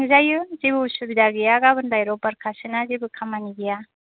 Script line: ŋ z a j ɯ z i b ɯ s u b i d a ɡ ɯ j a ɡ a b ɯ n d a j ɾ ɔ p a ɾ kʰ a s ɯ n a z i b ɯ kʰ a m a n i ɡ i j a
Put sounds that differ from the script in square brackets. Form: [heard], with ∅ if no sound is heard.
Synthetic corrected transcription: ŋ z a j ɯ z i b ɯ s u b i d a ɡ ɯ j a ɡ a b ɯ n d a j ɾ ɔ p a ɾ kʰ a s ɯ n a z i b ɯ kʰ a m a n i ɡ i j a